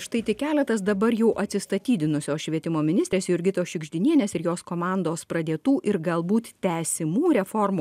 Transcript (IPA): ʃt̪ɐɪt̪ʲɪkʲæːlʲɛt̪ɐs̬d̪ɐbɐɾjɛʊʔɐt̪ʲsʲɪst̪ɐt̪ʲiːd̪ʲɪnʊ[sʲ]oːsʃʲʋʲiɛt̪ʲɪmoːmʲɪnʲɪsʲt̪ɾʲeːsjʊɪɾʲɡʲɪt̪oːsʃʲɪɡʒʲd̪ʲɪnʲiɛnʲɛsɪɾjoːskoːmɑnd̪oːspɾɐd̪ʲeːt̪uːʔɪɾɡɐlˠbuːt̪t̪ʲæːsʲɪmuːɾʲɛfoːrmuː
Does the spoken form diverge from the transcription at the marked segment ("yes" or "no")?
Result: no